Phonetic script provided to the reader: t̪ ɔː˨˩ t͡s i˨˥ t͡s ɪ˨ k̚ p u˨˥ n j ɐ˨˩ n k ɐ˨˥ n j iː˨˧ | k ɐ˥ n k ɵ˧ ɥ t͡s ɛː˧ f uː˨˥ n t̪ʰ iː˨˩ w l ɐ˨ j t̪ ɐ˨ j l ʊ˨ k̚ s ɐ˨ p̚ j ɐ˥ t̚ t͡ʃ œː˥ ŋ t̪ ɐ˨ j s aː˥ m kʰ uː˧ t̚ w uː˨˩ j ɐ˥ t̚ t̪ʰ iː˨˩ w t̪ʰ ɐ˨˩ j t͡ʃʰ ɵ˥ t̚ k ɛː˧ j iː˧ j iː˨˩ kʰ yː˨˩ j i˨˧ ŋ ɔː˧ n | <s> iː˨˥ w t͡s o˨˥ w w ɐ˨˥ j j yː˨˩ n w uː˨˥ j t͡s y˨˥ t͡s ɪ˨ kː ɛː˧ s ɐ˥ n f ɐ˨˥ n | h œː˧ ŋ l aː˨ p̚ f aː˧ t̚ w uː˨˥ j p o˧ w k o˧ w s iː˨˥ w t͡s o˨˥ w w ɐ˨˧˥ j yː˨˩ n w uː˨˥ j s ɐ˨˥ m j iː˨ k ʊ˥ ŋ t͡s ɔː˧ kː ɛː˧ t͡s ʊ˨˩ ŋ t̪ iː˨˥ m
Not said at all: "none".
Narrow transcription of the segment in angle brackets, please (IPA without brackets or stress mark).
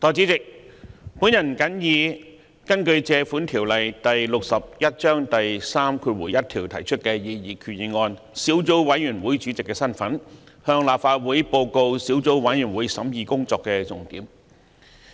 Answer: s